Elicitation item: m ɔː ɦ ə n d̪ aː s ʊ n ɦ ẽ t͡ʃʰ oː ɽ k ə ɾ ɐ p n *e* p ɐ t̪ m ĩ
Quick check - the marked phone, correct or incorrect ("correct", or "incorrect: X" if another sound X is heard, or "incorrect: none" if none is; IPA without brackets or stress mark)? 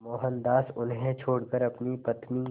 incorrect: i